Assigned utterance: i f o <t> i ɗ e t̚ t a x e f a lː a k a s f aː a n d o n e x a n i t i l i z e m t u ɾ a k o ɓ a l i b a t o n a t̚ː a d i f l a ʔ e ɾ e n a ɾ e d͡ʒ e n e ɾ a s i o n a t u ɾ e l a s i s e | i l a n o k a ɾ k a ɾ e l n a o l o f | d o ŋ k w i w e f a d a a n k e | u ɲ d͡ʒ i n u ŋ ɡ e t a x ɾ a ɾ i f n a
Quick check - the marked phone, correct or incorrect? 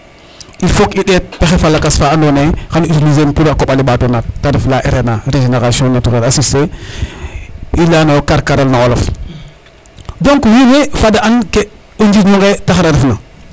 incorrect